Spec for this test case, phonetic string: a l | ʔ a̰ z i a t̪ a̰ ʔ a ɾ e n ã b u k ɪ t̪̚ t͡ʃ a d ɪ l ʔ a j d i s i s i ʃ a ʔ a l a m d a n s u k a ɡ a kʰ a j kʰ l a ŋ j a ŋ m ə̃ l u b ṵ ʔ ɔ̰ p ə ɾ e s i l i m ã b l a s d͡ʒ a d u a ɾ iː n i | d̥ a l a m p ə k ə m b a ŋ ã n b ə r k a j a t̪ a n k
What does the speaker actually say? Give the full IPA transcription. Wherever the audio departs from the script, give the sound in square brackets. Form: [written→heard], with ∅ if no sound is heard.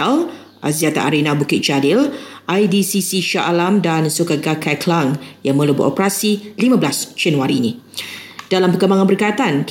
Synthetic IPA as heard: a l | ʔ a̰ z i a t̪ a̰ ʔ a ɾ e n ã b u k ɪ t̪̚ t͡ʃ a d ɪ l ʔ a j d i s i s i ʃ a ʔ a l a m d a n s u k a ɡ a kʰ a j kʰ l a ŋ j a ŋ m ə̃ l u b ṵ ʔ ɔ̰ p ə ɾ [e→a] s i l i m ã b l a s d͡ʒ a [d→n] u a ɾ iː n i | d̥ a l a m p ə k ə m b a ŋ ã n b ə r k a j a t̪ a n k